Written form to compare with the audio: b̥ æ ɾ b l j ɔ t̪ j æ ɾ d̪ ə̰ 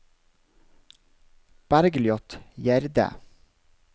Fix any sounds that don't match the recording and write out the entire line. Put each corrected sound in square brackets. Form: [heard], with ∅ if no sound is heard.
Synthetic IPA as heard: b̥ æ ɾ [ɡ] l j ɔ t̪ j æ ɾ d̪ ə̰